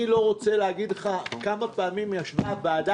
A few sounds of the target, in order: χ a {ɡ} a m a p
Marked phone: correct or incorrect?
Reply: incorrect